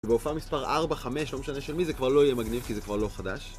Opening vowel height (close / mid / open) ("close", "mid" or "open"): mid